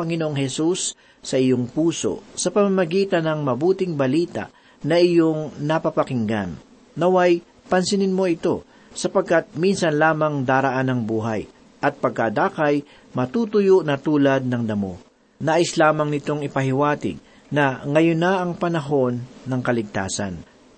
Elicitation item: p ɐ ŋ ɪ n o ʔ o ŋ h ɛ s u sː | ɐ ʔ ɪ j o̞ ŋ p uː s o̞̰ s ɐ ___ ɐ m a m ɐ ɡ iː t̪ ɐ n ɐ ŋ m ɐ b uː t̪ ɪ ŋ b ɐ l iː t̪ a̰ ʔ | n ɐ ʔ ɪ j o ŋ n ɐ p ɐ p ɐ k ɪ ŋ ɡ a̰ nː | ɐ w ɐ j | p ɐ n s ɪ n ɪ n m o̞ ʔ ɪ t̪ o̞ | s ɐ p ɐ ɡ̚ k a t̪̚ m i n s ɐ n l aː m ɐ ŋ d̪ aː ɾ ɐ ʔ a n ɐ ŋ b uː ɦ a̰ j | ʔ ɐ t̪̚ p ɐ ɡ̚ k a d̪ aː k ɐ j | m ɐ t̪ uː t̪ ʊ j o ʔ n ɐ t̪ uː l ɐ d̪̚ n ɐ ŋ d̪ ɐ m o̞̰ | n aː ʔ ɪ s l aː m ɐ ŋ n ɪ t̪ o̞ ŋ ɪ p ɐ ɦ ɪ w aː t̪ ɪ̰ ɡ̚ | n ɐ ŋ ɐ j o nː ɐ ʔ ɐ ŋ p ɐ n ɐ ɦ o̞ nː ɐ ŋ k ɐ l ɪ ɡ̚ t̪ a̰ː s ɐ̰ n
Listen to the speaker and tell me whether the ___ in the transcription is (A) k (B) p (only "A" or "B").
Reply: B